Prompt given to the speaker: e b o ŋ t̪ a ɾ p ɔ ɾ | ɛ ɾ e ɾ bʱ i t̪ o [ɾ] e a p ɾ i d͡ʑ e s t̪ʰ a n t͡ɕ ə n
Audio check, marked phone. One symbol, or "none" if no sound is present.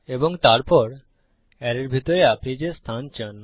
ɾ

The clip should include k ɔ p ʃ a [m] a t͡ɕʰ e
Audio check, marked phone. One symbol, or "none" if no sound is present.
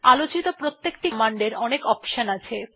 n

